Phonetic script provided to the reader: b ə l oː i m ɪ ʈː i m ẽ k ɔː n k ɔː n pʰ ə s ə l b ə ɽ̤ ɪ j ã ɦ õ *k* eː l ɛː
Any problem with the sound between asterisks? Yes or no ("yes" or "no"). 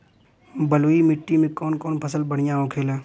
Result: yes